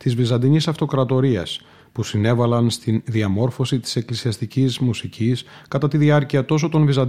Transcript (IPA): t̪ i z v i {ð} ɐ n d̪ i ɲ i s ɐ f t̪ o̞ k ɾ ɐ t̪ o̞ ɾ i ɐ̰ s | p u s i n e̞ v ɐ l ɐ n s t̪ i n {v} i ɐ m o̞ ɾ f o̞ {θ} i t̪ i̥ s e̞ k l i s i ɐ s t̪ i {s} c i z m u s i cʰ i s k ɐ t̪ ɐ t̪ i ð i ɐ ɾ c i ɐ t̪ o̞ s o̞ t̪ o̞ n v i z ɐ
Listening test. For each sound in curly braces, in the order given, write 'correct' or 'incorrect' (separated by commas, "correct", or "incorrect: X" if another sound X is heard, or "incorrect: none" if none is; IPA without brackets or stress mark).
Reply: incorrect: z, incorrect: ð, incorrect: s, incorrect: none